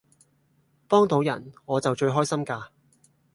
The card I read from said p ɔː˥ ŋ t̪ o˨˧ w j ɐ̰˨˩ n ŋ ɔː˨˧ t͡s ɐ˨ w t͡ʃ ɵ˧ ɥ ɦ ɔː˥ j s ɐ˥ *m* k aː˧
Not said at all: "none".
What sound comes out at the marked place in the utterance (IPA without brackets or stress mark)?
m